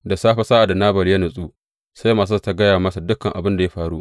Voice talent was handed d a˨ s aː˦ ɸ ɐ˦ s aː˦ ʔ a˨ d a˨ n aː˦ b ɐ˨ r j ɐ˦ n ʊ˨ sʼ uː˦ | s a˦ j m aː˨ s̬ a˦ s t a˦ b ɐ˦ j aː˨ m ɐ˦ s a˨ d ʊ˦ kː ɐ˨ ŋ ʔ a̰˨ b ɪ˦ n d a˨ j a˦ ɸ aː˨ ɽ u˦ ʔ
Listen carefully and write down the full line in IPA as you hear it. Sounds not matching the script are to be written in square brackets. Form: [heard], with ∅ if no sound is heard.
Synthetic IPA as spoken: d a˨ s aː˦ ɸ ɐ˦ s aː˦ ʔ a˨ d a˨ n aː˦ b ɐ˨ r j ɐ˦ n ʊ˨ sʼ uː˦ | s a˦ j m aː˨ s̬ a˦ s t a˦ [ɡ] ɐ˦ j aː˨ m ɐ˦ s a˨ d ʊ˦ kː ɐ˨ ŋ ʔ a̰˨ b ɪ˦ n d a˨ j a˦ ɸ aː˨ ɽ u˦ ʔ